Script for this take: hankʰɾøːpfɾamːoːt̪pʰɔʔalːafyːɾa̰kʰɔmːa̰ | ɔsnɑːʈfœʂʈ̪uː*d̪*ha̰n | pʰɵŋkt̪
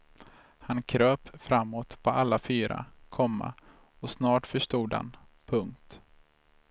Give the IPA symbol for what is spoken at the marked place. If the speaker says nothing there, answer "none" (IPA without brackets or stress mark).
d̪